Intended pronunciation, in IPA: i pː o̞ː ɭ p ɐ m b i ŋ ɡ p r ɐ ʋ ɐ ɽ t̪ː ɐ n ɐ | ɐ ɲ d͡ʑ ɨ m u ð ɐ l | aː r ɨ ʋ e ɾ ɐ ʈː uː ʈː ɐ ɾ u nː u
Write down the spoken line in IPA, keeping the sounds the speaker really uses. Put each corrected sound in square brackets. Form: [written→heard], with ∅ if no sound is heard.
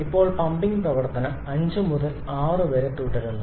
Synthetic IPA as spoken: i pː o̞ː ɭ p ɐ m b i ŋ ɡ p r ɐ ʋ ɐ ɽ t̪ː ɐ n ɐ | ɐ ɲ d͡ʑ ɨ m u ð ɐ l | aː r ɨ ʋ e ɾ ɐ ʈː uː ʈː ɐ ɾ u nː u